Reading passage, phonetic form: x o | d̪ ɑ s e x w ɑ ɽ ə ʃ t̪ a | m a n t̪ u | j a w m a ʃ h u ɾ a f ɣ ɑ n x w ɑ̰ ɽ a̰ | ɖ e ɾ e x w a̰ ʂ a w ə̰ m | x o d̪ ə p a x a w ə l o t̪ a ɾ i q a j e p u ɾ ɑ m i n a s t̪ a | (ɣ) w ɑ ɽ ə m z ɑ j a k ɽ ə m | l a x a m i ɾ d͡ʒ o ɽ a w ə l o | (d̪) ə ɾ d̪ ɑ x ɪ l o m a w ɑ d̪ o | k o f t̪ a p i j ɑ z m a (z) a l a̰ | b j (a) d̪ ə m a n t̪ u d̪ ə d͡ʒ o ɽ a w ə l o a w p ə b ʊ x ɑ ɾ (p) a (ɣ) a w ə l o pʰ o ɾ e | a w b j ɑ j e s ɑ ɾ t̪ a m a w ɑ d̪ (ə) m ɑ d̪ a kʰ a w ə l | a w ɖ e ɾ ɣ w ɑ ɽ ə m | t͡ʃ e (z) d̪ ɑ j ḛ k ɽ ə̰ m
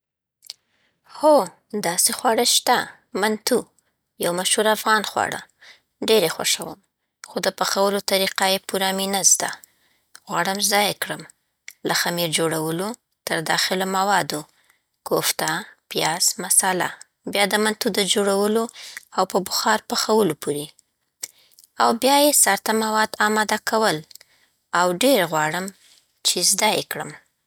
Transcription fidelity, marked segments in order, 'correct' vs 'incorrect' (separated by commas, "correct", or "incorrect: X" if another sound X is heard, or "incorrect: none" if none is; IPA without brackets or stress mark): correct, incorrect: t̪, incorrect: s, incorrect: ɑ, correct, incorrect: x, incorrect: ɑ, correct